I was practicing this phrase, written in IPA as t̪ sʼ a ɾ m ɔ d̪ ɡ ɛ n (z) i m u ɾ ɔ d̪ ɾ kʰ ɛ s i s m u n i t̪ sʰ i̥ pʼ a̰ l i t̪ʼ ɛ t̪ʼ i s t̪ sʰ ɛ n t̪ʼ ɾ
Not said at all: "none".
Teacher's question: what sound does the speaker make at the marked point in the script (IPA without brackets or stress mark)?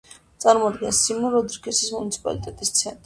s